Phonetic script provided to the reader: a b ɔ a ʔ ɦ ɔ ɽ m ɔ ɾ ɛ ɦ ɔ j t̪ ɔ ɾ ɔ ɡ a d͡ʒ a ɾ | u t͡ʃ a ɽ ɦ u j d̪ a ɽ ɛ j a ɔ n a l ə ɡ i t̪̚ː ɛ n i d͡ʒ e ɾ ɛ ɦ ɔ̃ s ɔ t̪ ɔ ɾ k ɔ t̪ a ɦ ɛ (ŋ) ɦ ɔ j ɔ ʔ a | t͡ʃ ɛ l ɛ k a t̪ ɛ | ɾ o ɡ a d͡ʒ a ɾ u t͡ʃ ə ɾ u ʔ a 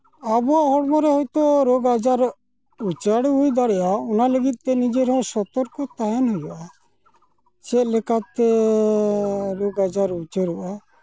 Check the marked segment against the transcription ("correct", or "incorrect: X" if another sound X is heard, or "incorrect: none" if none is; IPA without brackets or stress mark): incorrect: n